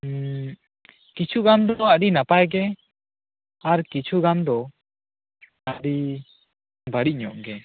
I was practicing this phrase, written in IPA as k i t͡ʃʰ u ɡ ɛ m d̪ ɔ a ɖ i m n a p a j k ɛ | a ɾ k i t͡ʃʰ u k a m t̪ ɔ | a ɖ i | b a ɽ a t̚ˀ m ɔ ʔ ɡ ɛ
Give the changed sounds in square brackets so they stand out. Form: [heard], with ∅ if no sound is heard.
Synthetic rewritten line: k i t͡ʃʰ u ɡ [a] m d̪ ɔ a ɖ i [∅] n a p a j [ɡ] ɛ | a ɾ k i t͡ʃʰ u [ɡ] a m [d̪] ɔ | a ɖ i | b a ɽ [i] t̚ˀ [ɲ] ɔ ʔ ɡ ɛ